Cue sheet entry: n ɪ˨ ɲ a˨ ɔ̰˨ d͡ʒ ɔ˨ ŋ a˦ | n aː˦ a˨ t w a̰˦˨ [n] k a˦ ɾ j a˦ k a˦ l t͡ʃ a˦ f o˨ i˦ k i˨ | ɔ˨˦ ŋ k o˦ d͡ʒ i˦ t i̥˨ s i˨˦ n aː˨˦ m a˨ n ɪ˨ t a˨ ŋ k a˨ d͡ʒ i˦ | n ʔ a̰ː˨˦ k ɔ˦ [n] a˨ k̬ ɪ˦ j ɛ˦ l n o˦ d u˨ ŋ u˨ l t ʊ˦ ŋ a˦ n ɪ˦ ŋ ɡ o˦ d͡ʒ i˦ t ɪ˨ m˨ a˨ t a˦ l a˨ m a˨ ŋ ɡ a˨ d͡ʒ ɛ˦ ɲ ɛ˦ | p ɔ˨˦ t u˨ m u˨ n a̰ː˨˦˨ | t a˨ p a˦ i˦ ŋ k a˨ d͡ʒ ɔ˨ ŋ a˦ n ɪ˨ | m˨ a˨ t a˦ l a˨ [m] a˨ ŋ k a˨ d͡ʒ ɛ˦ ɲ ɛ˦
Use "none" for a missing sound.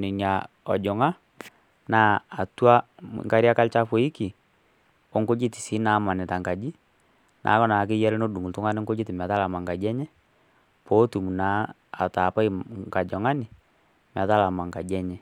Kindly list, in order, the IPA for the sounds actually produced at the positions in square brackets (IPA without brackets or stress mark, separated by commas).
ŋ, n, m